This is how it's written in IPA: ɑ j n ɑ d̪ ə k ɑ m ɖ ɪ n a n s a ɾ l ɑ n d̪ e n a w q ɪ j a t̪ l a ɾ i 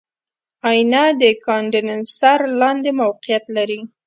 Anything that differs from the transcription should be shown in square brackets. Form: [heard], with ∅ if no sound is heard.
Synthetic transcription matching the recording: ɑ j n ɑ d̪ ə k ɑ [ɳ] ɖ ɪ n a n s a ɾ l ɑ n d̪ e [m] a w q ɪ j a t̪ l a ɾ i